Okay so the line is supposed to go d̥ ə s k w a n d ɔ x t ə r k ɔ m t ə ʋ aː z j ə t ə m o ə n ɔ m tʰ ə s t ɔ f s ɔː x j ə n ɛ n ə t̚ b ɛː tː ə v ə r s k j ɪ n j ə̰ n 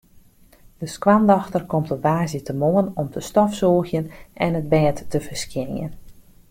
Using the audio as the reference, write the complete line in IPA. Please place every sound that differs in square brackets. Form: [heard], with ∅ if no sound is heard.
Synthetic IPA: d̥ ə s k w a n d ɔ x t ə r k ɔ m t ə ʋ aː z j ə t ə m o ə n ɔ m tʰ ə s t ɔ f s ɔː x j ə n ɛ n ə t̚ b ɛː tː ə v ə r s k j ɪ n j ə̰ n